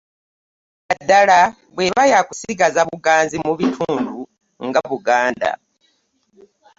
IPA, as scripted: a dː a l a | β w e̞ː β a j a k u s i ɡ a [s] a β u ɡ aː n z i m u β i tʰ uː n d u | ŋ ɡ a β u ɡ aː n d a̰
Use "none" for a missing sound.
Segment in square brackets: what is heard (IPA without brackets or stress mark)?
z